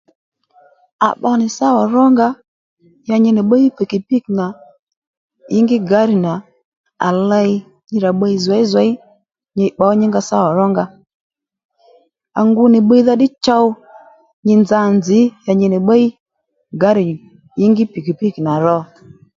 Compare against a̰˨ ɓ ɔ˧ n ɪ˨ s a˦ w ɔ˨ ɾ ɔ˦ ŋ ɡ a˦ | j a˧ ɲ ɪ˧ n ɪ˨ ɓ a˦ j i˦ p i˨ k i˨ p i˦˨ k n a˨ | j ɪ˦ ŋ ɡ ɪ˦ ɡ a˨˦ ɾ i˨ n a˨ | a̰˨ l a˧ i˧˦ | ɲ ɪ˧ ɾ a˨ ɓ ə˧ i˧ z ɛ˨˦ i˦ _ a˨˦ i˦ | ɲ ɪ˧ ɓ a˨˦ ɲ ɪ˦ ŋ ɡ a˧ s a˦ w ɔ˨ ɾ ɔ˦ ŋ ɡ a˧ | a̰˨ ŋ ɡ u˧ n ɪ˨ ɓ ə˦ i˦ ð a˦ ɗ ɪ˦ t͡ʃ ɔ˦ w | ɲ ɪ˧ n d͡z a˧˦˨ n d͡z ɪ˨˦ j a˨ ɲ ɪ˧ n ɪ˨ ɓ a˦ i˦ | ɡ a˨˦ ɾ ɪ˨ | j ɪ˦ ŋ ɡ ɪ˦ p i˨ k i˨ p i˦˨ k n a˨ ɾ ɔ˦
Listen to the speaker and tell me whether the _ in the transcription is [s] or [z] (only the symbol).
z